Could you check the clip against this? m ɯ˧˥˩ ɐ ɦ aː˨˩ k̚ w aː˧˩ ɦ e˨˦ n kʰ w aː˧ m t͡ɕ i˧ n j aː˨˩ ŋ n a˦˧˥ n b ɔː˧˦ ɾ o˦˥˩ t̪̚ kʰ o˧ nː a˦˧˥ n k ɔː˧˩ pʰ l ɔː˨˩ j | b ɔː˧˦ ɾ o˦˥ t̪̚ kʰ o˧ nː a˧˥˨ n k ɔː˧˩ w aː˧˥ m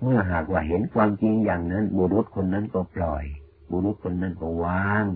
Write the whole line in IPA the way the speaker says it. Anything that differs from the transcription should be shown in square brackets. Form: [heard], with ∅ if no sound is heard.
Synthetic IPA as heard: m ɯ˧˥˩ ɐ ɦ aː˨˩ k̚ w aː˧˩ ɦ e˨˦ n kʰ w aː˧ m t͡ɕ i˧ [ŋ] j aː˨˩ ŋ n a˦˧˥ n b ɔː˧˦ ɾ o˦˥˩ t̪̚ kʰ o˧ nː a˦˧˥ n k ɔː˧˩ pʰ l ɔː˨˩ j | b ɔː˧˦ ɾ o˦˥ t̪̚ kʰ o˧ nː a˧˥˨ n k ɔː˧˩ w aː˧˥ [ŋ]